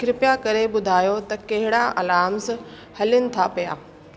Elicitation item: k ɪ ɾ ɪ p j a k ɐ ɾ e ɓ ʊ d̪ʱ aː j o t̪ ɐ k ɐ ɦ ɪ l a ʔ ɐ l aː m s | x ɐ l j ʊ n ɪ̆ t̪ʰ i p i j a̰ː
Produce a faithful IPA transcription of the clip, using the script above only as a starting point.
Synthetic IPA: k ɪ ɾ ɪ p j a k ɐ ɾ e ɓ ʊ d̪ʱ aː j o t̪ ɐ k ɐ ɦ ɪ ɽ a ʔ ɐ l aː m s | h ɐ l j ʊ n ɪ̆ t̪ʰ a p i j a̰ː